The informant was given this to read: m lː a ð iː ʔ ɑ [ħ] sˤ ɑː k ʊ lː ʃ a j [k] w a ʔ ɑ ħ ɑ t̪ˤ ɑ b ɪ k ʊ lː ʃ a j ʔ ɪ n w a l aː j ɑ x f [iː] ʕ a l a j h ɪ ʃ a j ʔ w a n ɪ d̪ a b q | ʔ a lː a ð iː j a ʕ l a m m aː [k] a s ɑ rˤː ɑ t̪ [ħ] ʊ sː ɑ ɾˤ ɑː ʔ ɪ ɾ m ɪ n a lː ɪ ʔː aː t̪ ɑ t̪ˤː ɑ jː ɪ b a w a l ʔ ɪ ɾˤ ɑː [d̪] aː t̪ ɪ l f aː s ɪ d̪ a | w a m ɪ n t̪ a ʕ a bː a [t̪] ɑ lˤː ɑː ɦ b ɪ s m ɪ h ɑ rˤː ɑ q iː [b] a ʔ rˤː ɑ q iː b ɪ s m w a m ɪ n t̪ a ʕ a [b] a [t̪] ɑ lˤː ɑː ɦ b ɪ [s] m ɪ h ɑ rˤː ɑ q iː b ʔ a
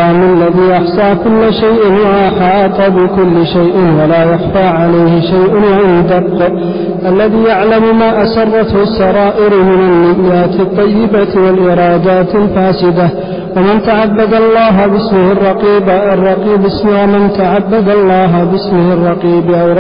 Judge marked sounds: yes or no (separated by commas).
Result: yes, no, no, no, no, yes, no, yes, no, no, yes